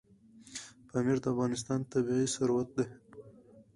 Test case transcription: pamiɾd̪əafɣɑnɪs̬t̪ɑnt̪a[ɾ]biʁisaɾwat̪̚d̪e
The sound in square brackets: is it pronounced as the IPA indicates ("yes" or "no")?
no